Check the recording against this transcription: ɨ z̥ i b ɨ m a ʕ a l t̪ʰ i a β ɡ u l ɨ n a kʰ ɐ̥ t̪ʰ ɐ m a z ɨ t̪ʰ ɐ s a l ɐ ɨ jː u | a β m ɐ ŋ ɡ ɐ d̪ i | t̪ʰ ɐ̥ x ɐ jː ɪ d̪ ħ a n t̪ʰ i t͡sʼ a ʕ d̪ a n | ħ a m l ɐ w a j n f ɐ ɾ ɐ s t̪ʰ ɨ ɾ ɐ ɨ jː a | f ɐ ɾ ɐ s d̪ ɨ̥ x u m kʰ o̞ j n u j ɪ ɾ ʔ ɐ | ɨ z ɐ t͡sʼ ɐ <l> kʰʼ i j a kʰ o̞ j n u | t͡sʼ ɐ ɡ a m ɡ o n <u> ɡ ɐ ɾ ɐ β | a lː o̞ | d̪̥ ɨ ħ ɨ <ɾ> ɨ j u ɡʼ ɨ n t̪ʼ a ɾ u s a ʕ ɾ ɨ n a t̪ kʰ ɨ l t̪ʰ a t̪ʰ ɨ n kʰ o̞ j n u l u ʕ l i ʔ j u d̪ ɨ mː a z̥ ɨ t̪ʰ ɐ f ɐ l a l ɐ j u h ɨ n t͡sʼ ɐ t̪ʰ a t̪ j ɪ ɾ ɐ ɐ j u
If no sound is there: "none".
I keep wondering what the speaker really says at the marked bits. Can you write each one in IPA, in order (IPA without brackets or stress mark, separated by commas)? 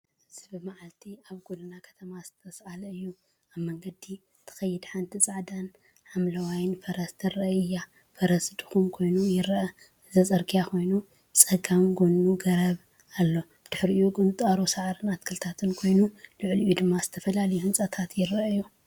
ɾ, u, ɾ